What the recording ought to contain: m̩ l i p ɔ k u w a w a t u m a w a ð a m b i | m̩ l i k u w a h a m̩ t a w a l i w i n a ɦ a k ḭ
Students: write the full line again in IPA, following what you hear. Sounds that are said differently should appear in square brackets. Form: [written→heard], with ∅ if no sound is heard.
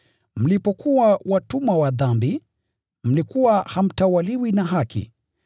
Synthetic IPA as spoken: m̩ l i p ɔ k u w a w a t u m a w a ð a m b i | m̩ l i k u w a h a m̩ t a w a l i w i n a ɦ a k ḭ

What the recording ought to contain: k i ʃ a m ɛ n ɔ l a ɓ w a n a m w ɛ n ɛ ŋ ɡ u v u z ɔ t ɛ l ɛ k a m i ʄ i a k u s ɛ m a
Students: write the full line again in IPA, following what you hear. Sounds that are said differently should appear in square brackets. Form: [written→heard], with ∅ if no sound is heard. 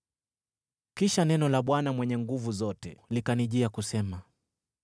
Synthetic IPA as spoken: k i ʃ a [m→n] ɛ n ɔ l a ɓ w a n a m w ɛ [n→ɲ] ɛ ŋ ɡ u v u z ɔ t ɛ l [ɛ→i] k a [m→n] i ʄ i a k u s ɛ m a

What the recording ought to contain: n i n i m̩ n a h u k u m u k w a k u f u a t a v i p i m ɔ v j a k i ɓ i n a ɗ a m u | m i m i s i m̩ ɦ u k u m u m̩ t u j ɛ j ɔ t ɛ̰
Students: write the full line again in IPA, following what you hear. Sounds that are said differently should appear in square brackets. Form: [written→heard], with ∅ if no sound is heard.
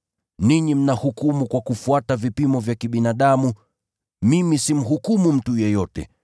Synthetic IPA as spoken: n i [n→ɲ] i m̩ n a h u k u m u k w a k u f u a t a v i p i m ɔ v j a k i ɓ i n a ɗ a m u | m i m i s i m̩ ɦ u k u m u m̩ t u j ɛ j ɔ t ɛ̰

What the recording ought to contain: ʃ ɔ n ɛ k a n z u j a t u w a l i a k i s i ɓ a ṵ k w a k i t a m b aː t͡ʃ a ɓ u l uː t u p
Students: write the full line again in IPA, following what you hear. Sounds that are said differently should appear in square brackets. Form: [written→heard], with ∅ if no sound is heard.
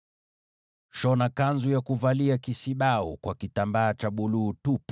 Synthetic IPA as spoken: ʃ ɔ n [ɛ→a] k a n z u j a [t→k] u [w→v] a l i a k i s i ɓ a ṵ k w a k i t a m b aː t͡ʃ a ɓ u l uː t u p

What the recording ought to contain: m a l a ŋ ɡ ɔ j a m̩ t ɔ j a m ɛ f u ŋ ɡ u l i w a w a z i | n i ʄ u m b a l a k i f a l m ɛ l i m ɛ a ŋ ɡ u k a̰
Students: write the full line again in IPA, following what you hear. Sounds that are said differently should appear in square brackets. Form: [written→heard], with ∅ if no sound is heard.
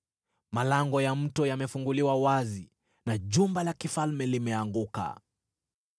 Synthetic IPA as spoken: m a l a ŋ ɡ ɔ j a m̩ t ɔ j a m ɛ f u ŋ ɡ u l i w a w a z i | n [i→a] ʄ u m b a l a k i f a l m ɛ l i m ɛ a ŋ ɡ u k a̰

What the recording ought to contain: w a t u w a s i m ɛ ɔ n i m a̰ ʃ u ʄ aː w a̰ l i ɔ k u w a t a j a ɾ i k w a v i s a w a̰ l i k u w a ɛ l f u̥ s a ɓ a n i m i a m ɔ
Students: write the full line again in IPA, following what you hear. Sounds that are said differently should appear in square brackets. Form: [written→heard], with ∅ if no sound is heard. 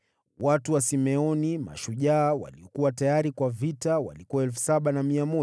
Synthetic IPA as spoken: w a t u w a s i m ɛ ɔ n i m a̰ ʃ u ʄ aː w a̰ l i ɔ k u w a t a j a ɾ i k w a v i [s→t] a w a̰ l i k u w a ɛ l f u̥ s a ɓ a n [i→a] m i a m ɔ

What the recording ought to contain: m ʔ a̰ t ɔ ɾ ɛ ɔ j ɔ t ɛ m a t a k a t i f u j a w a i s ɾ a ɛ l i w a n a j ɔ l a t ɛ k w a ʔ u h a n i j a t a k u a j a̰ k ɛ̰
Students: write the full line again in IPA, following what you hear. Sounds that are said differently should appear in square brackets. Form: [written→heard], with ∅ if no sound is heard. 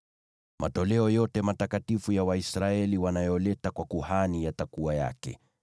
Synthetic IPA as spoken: m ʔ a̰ t ɔ [ɾ→l] ɛ ɔ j ɔ t ɛ m a t a k a t i f u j a w a i s ɾ a ɛ l i w a n a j ɔ l [a→ɛ] t [ɛ→a] k w a [ʔ→k] u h a n i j a t a k u a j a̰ k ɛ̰

